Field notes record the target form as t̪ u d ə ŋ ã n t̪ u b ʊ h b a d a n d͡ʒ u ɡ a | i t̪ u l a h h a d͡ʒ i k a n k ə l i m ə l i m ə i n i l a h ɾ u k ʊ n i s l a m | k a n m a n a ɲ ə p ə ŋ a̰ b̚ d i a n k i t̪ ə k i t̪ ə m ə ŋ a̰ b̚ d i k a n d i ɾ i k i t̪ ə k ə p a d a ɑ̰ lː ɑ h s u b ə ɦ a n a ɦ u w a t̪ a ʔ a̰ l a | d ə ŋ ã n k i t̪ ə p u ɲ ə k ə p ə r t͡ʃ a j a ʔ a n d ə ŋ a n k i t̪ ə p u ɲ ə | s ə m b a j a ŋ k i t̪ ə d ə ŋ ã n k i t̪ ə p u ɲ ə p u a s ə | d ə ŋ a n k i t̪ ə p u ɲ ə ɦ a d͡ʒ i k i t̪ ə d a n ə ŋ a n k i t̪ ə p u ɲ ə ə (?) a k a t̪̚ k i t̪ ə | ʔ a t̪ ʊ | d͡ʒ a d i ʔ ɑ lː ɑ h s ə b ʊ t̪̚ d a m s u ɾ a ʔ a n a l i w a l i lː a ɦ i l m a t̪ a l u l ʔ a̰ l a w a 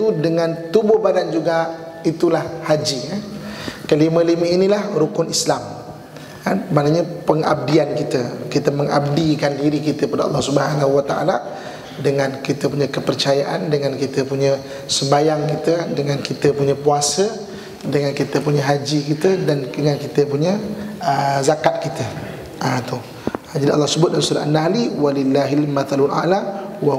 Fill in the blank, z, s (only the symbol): z